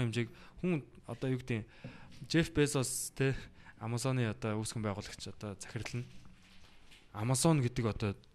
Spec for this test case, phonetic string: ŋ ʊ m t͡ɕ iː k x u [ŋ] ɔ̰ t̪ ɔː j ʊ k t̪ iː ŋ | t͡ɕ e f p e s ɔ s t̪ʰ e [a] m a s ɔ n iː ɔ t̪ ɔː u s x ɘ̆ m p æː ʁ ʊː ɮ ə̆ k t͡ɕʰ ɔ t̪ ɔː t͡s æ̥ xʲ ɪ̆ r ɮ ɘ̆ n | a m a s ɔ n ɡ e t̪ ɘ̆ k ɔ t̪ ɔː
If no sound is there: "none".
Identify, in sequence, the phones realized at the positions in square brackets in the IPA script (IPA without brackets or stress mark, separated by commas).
ŋ, a